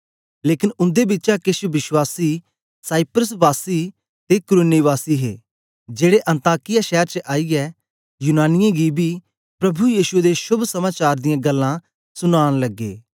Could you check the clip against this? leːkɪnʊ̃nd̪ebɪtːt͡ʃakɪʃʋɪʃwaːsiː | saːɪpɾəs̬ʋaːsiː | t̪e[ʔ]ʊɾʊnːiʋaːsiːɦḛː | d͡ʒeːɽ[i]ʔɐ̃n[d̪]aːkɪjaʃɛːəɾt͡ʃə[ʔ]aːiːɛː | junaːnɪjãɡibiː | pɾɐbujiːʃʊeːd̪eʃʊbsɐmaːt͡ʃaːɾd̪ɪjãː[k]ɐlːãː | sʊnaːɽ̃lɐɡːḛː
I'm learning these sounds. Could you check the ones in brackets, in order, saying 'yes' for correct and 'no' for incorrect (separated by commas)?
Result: no, no, no, yes, no